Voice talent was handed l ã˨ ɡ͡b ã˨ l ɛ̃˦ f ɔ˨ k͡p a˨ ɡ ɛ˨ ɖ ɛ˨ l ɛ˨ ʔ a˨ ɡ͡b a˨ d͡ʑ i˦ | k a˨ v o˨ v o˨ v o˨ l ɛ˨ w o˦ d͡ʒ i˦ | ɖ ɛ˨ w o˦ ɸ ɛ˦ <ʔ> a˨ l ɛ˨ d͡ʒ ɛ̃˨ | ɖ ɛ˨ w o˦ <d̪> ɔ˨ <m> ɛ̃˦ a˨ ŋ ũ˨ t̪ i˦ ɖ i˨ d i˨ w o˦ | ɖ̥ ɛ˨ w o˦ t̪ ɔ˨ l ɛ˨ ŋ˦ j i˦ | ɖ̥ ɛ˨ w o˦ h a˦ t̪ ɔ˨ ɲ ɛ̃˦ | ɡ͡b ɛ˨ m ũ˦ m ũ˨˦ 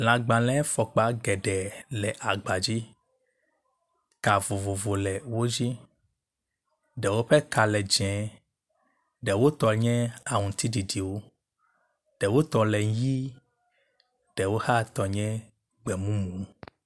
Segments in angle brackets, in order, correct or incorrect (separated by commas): incorrect, incorrect, incorrect